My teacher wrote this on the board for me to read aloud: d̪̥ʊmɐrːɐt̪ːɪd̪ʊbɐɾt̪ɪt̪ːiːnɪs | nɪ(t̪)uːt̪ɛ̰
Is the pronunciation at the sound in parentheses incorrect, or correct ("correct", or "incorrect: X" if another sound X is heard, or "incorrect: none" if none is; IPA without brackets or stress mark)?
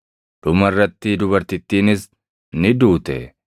incorrect: d̪